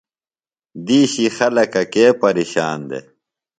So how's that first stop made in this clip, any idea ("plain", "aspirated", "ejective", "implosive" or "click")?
plain